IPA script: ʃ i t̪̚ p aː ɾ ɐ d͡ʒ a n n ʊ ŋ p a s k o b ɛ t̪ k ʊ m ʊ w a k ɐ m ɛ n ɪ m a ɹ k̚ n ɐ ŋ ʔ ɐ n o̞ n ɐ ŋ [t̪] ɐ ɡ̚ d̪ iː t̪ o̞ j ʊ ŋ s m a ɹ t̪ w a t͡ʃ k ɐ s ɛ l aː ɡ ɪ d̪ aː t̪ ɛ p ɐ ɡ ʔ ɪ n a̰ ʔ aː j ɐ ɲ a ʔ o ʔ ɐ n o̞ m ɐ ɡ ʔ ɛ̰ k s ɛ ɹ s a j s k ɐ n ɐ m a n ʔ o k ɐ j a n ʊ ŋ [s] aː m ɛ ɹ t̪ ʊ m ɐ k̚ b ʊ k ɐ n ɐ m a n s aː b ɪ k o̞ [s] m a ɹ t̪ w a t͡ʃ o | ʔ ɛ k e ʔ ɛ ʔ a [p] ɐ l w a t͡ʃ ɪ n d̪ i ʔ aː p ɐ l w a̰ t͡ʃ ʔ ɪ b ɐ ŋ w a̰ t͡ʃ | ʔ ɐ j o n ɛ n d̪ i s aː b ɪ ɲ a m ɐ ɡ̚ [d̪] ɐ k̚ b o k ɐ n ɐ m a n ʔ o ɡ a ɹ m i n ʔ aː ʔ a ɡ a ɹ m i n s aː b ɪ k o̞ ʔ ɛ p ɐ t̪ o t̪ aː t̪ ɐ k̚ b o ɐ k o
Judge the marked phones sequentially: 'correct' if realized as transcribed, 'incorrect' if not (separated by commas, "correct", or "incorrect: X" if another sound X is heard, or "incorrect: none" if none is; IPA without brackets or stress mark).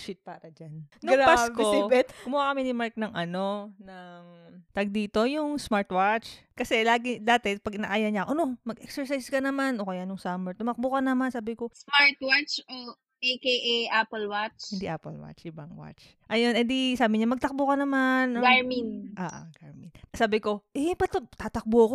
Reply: correct, correct, correct, correct, incorrect: t̪